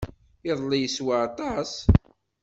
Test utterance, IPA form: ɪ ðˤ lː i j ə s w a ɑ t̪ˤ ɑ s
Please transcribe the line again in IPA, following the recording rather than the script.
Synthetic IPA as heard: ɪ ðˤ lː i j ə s w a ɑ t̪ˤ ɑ s